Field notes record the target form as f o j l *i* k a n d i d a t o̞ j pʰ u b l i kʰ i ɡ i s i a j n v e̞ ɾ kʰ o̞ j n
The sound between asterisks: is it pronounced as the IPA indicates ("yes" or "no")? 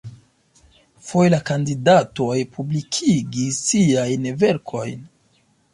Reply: no